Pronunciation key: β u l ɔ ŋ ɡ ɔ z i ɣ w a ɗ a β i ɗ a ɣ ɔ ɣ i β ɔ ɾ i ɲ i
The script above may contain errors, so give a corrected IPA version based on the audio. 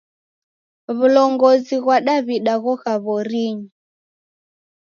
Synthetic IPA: β u l ɔ ŋ ɡ ɔ z i ɣ w a ɗ a β i ɗ a ɣ ɔ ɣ a β ɔ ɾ i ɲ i